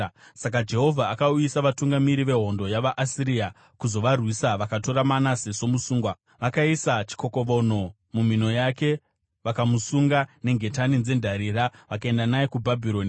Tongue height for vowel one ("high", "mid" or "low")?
low